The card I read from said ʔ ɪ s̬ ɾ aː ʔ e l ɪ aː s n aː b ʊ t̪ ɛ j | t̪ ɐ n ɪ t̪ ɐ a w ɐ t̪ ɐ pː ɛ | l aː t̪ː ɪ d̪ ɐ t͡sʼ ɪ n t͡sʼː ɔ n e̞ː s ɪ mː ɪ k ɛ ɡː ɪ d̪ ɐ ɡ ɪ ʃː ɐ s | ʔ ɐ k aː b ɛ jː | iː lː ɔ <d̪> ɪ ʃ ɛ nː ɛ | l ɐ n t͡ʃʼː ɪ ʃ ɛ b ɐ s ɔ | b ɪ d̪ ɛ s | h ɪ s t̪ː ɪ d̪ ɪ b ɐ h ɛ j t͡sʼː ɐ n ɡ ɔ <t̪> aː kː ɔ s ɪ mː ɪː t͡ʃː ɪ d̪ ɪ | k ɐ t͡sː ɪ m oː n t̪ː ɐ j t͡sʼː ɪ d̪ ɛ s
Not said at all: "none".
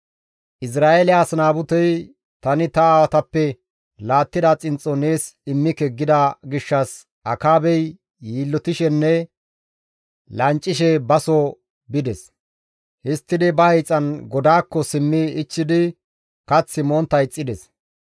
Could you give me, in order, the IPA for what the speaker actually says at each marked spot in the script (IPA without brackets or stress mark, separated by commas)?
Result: t̪, d̪